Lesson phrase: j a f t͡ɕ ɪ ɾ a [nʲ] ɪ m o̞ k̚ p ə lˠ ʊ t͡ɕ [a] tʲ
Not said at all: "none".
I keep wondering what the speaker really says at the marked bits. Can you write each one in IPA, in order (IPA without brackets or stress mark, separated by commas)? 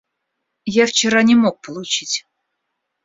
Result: nʲ, i